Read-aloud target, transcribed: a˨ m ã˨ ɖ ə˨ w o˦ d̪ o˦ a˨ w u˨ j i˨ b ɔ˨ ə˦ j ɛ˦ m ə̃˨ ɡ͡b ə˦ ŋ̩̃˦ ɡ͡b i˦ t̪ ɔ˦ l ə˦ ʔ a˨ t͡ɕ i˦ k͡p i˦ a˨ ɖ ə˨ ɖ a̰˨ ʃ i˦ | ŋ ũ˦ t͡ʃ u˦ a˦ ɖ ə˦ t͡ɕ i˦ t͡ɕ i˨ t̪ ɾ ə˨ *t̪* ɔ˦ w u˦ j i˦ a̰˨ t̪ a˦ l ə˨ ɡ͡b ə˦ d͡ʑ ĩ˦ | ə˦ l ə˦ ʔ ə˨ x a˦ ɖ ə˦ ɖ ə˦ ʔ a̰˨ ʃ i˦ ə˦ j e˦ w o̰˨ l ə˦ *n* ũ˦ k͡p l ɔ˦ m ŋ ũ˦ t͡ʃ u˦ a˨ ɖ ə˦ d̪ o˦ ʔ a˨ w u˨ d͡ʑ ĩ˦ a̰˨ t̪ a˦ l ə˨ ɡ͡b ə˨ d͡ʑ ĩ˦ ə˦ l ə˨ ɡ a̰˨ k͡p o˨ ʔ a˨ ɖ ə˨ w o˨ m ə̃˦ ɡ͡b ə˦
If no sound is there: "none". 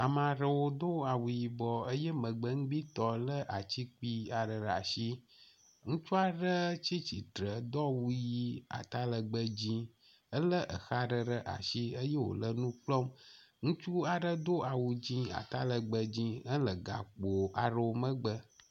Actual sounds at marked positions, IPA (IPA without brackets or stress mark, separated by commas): d̪, n